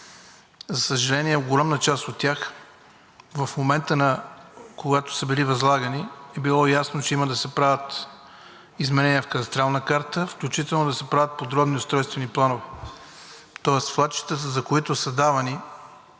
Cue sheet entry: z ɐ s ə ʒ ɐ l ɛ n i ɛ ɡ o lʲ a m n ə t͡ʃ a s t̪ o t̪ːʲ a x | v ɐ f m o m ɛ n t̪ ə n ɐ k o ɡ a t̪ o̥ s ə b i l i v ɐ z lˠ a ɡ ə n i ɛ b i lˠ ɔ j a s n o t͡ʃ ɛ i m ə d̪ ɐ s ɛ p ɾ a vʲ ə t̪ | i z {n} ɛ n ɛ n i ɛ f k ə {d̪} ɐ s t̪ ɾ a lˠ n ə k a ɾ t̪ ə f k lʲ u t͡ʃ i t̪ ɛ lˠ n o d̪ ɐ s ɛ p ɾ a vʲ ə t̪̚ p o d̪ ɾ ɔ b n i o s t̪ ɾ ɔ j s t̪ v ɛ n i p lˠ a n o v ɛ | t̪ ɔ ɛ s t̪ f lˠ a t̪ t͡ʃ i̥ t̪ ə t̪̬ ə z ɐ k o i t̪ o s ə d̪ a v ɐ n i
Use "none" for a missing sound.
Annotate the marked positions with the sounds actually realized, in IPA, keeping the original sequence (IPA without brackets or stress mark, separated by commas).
m, t̪